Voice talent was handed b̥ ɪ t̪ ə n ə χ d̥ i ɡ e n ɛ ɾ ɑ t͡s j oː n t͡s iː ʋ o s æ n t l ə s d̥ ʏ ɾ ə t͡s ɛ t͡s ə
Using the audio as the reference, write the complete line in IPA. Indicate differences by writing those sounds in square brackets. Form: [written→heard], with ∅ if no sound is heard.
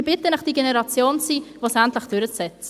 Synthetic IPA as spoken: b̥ ɪ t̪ ə n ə χ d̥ i ɡ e n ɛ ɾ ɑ t͡s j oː n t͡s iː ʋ o s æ n t l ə [s→χ] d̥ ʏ ɾ ə t͡s ɛ t͡s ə